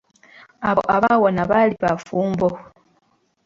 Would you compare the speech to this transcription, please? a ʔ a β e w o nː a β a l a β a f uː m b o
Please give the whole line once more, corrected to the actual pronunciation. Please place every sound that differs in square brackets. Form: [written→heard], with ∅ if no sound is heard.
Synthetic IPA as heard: a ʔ a β [e→a] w o [nː→n] a β a l [a→i] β a f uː m b o